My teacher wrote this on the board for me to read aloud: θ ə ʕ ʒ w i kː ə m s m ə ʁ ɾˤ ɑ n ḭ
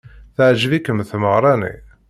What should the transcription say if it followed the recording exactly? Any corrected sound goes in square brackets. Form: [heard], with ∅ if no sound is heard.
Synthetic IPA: θ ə ʕ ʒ [v] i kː ə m [θ] m ə ʁ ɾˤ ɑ n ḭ